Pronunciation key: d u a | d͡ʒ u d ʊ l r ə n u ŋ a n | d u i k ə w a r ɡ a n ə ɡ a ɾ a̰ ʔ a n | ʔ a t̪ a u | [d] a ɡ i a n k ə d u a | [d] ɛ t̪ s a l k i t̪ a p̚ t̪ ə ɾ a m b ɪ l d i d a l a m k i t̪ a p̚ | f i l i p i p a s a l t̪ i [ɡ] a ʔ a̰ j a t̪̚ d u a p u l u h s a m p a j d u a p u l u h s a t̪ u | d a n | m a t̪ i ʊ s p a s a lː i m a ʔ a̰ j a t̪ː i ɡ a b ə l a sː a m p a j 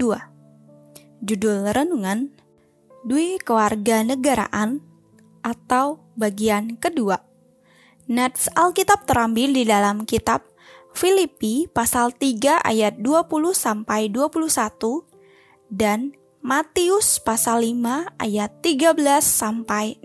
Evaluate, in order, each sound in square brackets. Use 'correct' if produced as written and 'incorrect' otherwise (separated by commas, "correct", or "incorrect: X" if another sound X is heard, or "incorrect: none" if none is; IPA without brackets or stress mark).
incorrect: b, incorrect: n, correct